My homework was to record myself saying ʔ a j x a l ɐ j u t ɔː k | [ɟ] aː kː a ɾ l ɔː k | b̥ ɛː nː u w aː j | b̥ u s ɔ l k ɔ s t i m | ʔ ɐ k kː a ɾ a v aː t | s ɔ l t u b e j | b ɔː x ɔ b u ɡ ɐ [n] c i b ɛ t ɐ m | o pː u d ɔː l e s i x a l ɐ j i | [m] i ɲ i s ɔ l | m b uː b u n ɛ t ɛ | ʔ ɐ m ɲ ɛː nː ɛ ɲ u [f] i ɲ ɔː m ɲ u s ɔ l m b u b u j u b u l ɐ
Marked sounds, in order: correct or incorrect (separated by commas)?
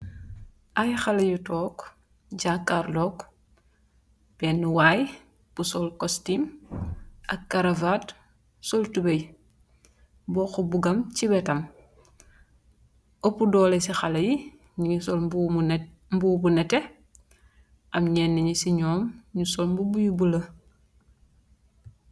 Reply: correct, incorrect, incorrect, incorrect